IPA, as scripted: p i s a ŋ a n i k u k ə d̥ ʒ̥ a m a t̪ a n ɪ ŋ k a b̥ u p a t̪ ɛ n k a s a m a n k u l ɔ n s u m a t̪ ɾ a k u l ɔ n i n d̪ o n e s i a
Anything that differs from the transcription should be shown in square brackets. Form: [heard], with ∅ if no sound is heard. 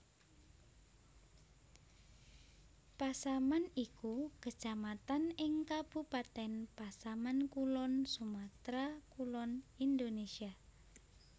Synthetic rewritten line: p [a] s a [m] a n i k u k ə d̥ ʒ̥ a m a t̪ a n ɪ ŋ k a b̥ u p a t̪ ɛ n [p] a s a m a n k u l ɔ n s u m a t̪ ɾ a k u l ɔ n i n d̪ o n e s i a